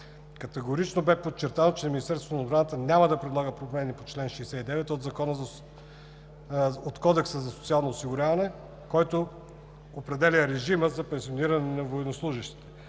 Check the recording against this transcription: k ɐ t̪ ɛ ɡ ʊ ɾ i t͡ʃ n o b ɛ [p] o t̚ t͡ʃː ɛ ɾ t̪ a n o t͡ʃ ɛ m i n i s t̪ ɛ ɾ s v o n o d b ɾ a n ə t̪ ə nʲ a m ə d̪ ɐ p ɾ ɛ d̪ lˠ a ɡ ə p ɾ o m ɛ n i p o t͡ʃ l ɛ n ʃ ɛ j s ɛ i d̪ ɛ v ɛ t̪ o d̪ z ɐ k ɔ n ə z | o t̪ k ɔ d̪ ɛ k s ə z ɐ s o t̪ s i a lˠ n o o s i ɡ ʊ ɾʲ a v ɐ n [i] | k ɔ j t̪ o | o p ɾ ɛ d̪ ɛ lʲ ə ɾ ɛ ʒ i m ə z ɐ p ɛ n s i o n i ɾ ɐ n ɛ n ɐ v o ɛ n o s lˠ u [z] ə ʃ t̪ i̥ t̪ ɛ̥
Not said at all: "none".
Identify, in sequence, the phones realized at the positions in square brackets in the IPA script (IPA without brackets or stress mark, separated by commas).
p, ɛ, ʒ